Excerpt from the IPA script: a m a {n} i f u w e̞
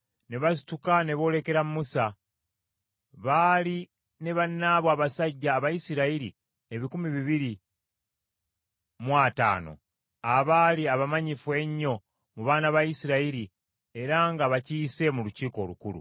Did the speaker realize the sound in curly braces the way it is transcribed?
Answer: no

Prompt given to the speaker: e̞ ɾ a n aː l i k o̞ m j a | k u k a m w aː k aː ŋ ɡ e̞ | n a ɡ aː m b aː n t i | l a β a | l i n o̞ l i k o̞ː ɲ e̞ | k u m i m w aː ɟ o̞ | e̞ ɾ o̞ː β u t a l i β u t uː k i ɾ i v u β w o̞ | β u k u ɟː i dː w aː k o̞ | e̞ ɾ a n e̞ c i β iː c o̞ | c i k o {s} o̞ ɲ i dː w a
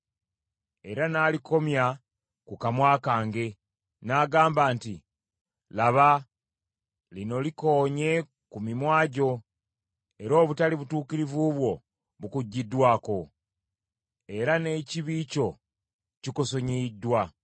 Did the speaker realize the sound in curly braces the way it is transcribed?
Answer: yes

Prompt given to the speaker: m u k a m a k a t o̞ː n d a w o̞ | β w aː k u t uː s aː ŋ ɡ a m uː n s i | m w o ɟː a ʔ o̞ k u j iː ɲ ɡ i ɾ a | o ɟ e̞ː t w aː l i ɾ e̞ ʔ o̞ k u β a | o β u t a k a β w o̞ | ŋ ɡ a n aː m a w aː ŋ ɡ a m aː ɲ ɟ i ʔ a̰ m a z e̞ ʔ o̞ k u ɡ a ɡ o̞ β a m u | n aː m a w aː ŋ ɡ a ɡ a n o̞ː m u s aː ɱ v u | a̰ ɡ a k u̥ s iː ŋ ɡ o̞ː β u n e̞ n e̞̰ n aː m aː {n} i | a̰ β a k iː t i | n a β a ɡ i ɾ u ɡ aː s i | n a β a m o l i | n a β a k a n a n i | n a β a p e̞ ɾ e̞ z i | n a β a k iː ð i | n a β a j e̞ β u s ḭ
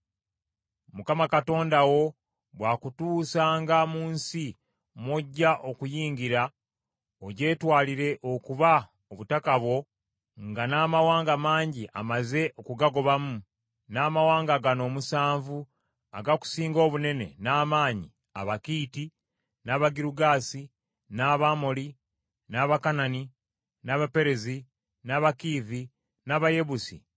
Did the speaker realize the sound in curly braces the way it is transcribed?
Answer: no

